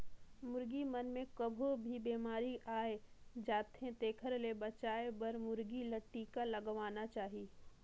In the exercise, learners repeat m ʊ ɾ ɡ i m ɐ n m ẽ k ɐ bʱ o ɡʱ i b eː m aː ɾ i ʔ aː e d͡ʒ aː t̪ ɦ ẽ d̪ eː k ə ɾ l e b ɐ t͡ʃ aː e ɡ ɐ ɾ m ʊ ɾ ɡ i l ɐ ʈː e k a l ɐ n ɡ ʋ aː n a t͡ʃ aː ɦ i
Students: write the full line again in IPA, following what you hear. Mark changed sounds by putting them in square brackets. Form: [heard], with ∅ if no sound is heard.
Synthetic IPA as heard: m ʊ ɾ ɡ i m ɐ n m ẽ k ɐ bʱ o [bʱ] i b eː m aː ɾ i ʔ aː e d͡ʒ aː t̪ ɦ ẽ [t̪] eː [kʰ] ə ɾ l e b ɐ t͡ʃ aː e [b] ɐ ɾ m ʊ ɾ ɡ i l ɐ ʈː [i] k a l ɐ [∅] ɡ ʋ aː n a t͡ʃ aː ɦ i